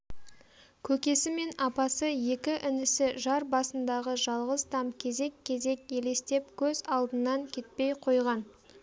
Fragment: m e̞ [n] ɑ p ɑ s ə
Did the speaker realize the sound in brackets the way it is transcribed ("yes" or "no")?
yes